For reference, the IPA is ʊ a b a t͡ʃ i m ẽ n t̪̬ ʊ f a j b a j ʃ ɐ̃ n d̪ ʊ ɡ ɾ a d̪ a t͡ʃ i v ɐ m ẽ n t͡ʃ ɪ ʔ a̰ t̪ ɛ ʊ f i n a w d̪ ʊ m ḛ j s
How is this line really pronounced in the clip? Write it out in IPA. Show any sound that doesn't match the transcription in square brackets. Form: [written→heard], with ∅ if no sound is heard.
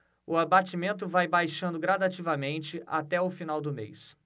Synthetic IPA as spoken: ʊ a b a t͡ʃ i m ẽ n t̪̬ ʊ [f→v] a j b a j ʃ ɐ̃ n d̪ ʊ ɡ ɾ a d̪ a t͡ʃ i v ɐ m ẽ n t͡ʃ ɪ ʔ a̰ t̪ ɛ ʊ f i n a w d̪ ʊ m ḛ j s

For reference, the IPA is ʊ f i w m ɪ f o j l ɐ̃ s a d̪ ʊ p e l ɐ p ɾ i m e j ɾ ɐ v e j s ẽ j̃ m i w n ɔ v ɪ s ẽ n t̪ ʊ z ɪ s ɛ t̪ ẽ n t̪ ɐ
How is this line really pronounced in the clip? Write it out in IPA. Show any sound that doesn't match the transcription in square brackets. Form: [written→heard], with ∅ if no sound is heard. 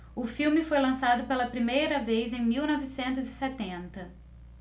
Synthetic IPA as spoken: ʊ f i w m ɪ f o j l ɐ̃ s a d̪ ʊ p e l ɐ p ɾ i m e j ɾ ɐ v e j [s→z] ẽ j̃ m i w n ɔ v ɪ s ẽ n t̪ ʊ z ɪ s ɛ t̪ ẽ n t̪ ɐ

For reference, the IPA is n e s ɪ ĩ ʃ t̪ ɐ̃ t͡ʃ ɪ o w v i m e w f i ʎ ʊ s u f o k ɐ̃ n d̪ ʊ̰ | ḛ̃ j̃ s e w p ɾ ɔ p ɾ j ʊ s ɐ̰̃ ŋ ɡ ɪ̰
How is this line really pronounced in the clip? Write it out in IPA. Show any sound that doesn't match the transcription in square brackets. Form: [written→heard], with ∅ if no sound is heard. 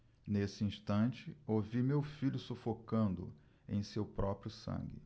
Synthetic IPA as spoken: n e s ɪ ĩ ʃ t̪ ɐ̃ t͡ʃ ɪ o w v i m e w f i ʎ ʊ s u f o k ɐ̃ n d̪ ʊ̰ | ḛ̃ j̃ s e w p ɾ ɔ p ɾ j ʊ s ɐ̰̃ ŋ ɡ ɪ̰

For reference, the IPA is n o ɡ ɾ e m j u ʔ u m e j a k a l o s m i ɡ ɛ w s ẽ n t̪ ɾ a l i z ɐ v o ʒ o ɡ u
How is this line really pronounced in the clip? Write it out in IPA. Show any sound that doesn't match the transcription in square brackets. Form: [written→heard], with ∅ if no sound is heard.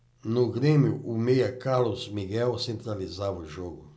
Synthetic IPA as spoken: n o ɡ ɾ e m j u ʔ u m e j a k a l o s m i ɡ ɛ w s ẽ n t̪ ɾ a l i z [ɐ→a] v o ʒ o ɡ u

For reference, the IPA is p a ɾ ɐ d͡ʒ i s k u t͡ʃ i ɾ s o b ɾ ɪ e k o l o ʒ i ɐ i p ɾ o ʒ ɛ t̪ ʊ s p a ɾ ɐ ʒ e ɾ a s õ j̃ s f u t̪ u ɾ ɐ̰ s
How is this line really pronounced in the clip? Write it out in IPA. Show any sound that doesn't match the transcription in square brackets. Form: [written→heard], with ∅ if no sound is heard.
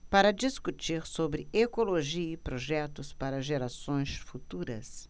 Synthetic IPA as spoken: p a ɾ ɐ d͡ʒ i s k u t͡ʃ i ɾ s o b ɾ ɪ e k o l o ʒ i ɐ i p ɾ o ʒ ɛ t̪ ʊ s p a ɾ ɐ ʒ e ɾ a s õ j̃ s f u t̪ u ɾ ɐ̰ s

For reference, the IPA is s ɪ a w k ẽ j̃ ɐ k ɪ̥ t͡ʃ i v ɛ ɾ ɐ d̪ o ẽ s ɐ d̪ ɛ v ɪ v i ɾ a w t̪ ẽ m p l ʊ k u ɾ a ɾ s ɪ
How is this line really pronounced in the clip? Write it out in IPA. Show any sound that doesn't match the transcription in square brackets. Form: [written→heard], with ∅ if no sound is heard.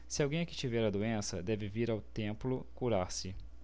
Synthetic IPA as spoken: s ɪ a w [k→ɡ] ẽ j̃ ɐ k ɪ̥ t͡ʃ i v ɛ ɾ ɐ d̪ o ẽ s ɐ d̪ ɛ v ɪ v i ɾ a w t̪ ẽ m p l ʊ k u ɾ a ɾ s ɪ

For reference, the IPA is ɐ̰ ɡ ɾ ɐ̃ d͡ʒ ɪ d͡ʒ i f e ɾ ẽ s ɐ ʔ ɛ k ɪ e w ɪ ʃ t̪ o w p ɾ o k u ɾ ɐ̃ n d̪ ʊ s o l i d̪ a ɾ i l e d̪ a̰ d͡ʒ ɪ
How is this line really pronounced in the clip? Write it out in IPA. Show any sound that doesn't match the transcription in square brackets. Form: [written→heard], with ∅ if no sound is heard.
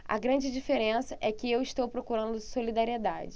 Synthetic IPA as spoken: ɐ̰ ɡ ɾ ɐ̃ d͡ʒ ɪ d͡ʒ i f e ɾ ẽ s ɐ ʔ ɛ k ɪ e w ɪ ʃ t̪ o w p ɾ o k u ɾ ɐ̃ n d̪ ʊ s o l i d̪ a ɾ i [l→∅] e d̪ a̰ d͡ʒ ɪ

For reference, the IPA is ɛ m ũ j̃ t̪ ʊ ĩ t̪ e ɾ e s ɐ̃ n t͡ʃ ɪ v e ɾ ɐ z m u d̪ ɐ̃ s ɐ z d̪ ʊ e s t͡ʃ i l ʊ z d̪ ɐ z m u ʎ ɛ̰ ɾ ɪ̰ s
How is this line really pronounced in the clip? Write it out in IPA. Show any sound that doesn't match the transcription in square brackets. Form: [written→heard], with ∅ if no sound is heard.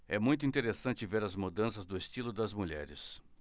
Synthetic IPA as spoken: ɛ m ũ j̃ t̪ ʊ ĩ t̪ e ɾ e s ɐ̃ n t͡ʃ ɪ v e ɾ ɐ z m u d̪ ɐ̃ s ɐ z d̪ ʊ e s t͡ʃ i l ʊ [z→∅] d̪ ɐ z m u ʎ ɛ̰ ɾ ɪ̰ s

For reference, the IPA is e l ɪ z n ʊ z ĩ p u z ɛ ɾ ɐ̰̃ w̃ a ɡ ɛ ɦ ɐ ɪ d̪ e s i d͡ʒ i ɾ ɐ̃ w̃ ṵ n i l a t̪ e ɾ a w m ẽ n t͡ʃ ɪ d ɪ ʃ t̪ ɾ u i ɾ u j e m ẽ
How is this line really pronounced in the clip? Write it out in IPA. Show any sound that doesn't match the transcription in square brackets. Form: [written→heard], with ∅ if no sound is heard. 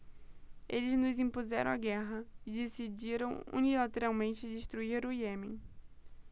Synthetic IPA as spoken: e l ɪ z n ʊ z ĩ p u z ɛ ɾ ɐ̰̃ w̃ a ɡ ɛ ɦ ɐ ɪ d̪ e s i d͡ʒ i ɾ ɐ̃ w̃ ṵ n i l a t̪ e ɾ a w m ẽ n t͡ʃ ɪ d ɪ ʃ t̪ ɾ u i ɾ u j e m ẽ

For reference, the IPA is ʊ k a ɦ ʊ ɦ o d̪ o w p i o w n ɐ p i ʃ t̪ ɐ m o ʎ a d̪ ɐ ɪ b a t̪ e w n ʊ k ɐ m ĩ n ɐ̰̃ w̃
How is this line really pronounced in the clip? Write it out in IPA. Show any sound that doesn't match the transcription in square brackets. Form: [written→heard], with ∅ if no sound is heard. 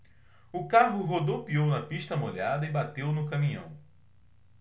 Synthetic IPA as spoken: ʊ k a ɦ ʊ ɦ o d̪ o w p i o w n ɐ p i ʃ t̪ ɐ m o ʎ a d̪ ɐ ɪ b a t̪ e w n ʊ k ɐ m ĩ [n→ɲ] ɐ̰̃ w̃

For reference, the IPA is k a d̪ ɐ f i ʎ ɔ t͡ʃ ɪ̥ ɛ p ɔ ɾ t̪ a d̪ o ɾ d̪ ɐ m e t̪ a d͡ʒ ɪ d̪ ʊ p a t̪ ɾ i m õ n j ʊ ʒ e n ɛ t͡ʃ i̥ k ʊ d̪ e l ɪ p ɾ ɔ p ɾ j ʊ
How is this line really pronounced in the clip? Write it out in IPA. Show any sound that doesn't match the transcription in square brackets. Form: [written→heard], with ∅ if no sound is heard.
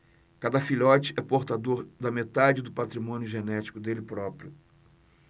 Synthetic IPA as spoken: k a d̪ ɐ f i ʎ ɔ t͡ʃ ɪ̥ ɛ p [ɔ→o] ɾ t̪ a d̪ o ɾ d̪ ɐ m e t̪ a d͡ʒ ɪ d̪ ʊ p a t̪ ɾ i m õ n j ʊ ʒ e n ɛ t͡ʃ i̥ k ʊ d̪ e l ɪ p ɾ ɔ p ɾ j ʊ

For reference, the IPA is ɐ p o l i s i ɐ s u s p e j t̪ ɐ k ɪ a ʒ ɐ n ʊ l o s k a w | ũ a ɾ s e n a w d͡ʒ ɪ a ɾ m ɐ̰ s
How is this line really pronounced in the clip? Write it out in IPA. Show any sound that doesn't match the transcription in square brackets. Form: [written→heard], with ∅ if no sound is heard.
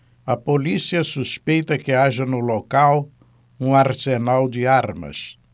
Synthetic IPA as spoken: ɐ p o l i s i ɐ s u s p e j t̪ ɐ k ɪ a ʒ ɐ n ʊ l o [s→∅] k a w | ũ a ɾ s e n a w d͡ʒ ɪ a ɾ m ɐ̰ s

